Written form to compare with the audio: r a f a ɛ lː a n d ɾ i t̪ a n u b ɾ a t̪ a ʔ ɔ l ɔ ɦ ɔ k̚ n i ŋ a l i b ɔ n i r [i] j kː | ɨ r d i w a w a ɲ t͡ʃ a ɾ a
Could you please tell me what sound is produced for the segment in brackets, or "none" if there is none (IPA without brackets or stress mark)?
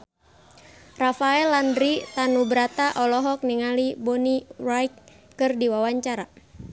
a